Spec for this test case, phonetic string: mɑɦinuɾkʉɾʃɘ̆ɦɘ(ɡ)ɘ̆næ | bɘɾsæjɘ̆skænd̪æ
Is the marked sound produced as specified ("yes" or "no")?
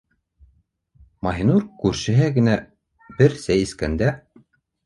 yes